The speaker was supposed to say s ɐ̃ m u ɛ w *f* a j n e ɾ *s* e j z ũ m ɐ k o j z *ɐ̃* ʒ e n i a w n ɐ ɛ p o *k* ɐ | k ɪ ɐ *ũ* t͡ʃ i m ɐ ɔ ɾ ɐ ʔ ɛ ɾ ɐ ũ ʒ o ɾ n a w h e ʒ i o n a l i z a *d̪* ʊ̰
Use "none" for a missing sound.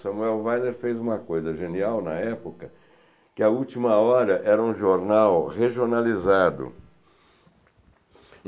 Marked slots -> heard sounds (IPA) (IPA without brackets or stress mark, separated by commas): v, f, ɐ, k, u, d̪